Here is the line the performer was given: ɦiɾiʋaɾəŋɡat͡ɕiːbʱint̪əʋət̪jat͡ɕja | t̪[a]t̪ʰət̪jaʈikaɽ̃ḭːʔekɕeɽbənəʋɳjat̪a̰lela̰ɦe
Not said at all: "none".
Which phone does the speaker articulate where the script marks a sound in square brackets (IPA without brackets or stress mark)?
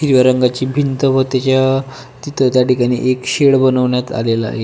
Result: i